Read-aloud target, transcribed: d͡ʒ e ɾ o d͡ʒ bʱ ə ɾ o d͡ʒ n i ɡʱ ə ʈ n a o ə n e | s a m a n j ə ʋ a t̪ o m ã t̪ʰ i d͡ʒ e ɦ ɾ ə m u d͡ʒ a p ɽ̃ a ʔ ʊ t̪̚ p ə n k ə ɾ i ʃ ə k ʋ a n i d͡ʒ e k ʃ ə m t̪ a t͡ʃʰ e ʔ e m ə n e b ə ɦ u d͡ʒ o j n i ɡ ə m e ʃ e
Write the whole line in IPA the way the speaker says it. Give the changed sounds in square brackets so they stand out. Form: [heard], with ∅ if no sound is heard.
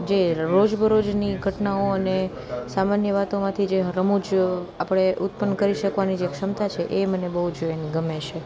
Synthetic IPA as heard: d͡ʒ e ɾ o d͡ʒ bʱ ə ɾ o d͡ʒ n i ɡʱ ə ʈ n a o ə n e | s a m a n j ə ʋ a t̪ o m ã t̪ʰ i d͡ʒ e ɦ ɾ ə m u d͡ʒ a p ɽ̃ [e] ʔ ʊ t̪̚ p ə n k ə ɾ i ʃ ə k ʋ a n i d͡ʒ e k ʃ ə m t̪ a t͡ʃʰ e ʔ e m ə n e b ə ɦ u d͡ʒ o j n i ɡ ə m e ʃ e